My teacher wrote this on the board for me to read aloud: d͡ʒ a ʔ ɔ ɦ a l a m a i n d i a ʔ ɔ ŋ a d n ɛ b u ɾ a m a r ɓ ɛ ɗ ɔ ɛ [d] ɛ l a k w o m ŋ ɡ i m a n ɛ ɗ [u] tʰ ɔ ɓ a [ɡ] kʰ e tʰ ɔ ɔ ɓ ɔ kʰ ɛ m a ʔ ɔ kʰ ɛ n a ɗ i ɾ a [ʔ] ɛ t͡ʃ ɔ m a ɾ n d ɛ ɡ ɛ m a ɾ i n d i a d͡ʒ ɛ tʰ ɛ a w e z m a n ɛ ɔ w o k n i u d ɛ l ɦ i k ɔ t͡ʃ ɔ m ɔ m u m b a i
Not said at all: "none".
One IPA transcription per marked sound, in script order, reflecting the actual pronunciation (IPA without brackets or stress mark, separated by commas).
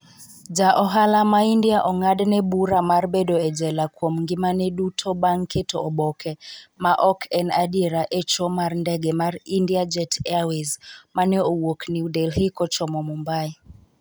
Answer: d͡ʒ, u, ŋ, ʔ